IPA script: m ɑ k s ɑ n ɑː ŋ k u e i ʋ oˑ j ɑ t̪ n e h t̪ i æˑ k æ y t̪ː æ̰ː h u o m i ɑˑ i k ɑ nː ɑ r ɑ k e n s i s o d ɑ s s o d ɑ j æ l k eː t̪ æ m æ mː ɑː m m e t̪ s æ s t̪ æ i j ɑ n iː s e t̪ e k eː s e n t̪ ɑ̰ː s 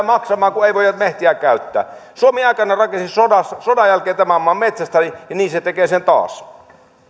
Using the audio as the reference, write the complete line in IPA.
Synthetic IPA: m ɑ k s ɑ m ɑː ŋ k u e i ʋ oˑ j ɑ t̪ m e h t̪ i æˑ k æ y t̪ː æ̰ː s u o m i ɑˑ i k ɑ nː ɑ r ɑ k e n s i s o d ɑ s s o d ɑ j æ l k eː t̪ æ m æ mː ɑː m m e t̪ s æ s t̪ æ i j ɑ n iː s e t̪ e k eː s e n t̪ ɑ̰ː s

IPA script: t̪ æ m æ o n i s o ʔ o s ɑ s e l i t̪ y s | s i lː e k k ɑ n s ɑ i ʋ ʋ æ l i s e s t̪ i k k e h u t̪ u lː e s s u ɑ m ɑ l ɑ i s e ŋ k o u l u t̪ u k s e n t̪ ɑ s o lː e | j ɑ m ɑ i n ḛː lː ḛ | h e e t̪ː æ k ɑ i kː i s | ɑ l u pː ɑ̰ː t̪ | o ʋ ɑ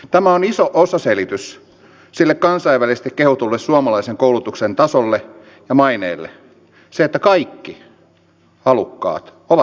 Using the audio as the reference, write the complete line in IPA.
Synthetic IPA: t̪ æ m æ o n i s o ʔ o s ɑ s e l i t̪ y s | s i lː e k k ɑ n s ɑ i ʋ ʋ æ l i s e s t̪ i k k e h u t̪ u lː e s s u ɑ m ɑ l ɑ i s e ŋ k o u l u t̪ u k s e n t̪ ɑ s o lː e | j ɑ m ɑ i n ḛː lː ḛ | s e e t̪ː æ k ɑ i kː i | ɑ l u kː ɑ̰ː t̪ | o ʋ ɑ

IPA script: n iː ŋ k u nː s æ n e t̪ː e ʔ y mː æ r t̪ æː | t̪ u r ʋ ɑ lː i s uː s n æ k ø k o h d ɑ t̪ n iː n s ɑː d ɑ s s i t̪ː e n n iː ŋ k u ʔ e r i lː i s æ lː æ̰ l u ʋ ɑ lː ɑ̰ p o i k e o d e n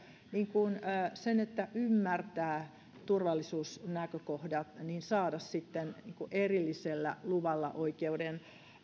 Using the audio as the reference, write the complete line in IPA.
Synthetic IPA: n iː ŋ k u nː s e n e t̪ː æ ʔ y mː æ r t̪ æː | t̪ u r ʋ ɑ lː i s uː s n æ k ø k o h d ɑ t̪ n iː n s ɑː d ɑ s s i t̪ː e n n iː ŋ k u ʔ e r i lː i s e lː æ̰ l u ʋ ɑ lː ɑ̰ ʔ o i k e u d e n

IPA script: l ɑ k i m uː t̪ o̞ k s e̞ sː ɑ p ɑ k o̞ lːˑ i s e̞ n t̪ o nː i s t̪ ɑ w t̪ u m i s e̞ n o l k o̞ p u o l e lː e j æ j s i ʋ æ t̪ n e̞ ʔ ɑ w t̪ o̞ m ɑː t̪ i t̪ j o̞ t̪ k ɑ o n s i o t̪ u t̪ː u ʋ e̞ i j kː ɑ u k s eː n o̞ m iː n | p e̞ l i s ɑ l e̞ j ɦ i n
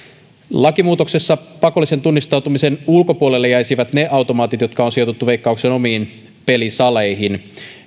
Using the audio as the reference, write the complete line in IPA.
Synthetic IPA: l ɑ k i m uː t̪ o̞ k s e̞ sː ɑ p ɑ k o̞ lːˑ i s e̞ n t̪ u nː i s t̪ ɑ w t̪ u m i s e̞ n u l k o̞ p u o l e lː e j æ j s i ʋ æ t̪ n e̞ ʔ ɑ w t̪ o̞ m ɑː t̪ i t̪ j o̞ t̪ k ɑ o n s i o t̪ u t̪ː u ʋ e̞ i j kː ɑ u k s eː n o̞ m iː n | p e̞ l i s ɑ l e̞ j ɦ i n

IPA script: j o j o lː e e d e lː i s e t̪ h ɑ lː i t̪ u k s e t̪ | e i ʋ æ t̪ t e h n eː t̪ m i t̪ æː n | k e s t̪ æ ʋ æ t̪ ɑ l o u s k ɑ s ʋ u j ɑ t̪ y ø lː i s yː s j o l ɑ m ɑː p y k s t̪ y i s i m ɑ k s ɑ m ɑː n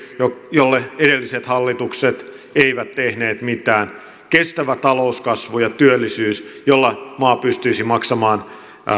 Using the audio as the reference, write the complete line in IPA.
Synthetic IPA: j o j o lː e e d e lː i s e t̪ h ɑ lː i t̪ u k s e t̪ | e i ʋ æ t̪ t e h n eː t̪ m i t̪ æː n | k e s t̪ æ ʋ æ t̪ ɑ l o u s k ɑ s ʋ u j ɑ t̪ y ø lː i s yː s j o lː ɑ m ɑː p y s t̪ y i s i m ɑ k s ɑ m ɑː n

